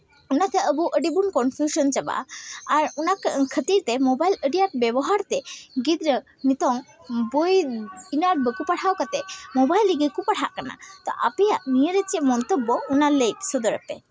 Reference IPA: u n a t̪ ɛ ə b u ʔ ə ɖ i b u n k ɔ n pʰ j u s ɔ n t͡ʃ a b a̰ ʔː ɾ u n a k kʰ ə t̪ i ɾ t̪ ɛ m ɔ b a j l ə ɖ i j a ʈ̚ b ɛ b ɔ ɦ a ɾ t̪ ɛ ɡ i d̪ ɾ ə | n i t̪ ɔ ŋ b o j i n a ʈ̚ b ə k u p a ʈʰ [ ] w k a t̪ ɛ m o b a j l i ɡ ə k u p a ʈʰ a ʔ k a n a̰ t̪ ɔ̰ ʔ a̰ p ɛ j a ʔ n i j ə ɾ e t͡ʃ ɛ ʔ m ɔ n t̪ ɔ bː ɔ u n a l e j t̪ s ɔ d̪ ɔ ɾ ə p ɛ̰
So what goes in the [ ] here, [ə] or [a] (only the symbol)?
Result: a